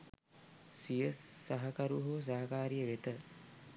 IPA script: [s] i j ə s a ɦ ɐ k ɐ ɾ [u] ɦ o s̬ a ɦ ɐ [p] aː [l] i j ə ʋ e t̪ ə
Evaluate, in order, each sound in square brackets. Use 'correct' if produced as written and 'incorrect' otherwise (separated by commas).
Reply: correct, correct, incorrect, incorrect